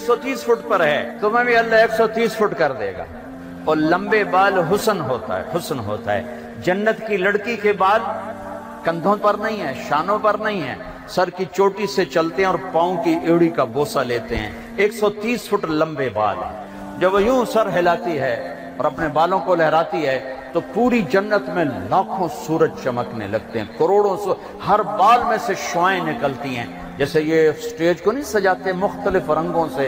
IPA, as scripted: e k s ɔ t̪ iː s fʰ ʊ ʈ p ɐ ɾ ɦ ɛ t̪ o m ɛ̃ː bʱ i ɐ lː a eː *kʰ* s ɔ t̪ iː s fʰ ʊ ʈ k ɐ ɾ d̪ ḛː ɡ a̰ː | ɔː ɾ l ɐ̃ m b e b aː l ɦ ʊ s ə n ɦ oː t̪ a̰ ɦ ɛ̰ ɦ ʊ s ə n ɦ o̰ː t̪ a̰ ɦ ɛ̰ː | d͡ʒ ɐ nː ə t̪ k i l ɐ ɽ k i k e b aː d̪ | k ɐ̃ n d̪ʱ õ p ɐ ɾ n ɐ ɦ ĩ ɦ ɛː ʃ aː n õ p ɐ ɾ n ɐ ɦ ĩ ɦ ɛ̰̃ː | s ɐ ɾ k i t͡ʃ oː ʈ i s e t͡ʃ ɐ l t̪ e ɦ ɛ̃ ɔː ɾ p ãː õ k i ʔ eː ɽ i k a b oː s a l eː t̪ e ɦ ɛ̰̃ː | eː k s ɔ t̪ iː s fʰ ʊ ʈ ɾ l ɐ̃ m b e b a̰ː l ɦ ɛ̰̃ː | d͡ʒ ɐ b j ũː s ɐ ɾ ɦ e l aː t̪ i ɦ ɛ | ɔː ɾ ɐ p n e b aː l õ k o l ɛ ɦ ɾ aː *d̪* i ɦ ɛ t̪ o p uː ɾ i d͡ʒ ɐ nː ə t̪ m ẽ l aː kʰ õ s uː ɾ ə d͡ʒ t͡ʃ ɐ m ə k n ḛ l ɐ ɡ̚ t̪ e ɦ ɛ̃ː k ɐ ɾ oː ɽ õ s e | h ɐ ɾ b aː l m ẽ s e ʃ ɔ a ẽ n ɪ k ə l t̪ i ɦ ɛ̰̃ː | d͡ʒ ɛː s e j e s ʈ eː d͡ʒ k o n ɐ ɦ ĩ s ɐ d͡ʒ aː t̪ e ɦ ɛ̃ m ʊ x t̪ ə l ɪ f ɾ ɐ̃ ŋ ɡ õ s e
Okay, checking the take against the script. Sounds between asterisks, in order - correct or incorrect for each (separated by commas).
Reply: incorrect, incorrect